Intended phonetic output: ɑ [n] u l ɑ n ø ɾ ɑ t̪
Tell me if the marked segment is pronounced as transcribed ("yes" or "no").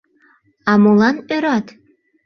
no